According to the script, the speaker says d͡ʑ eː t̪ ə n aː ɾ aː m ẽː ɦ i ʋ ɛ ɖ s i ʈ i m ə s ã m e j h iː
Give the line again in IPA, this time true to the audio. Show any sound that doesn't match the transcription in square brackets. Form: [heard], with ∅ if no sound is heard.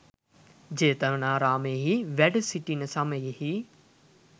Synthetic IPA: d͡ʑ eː t̪ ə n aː ɾ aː m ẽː ɦ i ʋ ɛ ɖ s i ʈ i [n] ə s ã m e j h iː